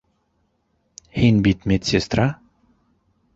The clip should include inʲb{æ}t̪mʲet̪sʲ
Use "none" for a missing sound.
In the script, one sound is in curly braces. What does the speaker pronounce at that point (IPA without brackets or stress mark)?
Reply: i